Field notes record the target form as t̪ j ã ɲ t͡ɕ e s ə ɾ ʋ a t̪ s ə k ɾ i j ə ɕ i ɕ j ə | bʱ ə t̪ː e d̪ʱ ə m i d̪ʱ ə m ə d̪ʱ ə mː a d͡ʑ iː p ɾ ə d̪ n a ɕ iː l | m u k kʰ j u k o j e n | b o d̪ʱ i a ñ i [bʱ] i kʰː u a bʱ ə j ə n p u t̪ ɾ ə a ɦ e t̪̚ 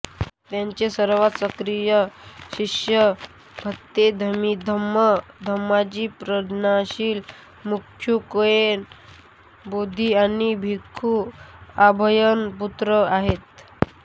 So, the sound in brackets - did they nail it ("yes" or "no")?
yes